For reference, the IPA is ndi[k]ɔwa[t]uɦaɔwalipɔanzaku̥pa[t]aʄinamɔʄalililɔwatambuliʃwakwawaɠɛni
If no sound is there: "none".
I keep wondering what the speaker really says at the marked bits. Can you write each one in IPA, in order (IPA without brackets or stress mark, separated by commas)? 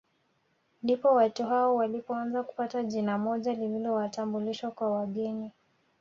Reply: p, t, t